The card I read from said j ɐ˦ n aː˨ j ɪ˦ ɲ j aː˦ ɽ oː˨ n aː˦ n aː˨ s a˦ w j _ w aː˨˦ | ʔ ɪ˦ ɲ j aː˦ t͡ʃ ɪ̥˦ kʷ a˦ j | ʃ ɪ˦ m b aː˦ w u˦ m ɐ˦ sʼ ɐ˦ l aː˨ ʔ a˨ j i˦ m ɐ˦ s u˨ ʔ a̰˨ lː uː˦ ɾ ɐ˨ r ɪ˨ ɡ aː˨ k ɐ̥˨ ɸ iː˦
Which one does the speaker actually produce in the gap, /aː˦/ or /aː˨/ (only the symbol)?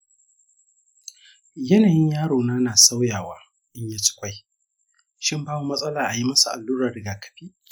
aː˨